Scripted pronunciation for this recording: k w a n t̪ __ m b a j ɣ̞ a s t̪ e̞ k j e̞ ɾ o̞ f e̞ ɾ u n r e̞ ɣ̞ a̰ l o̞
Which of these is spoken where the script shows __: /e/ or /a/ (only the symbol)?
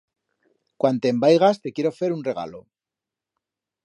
e